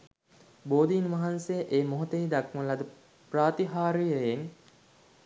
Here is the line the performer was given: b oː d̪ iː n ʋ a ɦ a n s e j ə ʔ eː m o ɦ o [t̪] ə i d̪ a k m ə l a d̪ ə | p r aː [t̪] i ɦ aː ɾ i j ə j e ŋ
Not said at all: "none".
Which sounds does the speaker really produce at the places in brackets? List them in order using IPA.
t̪, t̪

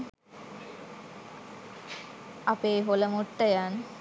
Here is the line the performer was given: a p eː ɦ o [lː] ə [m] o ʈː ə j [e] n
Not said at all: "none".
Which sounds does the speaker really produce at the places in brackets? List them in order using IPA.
l, m, a

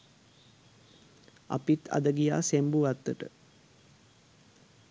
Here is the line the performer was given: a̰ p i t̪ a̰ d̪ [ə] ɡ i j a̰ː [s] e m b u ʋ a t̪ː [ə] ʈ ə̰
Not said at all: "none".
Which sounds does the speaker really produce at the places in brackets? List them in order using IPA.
ə, s, ə

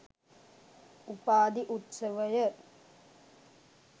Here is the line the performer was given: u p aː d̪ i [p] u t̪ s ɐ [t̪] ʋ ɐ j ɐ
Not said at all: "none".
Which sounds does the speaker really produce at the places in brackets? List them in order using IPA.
ʔ, none

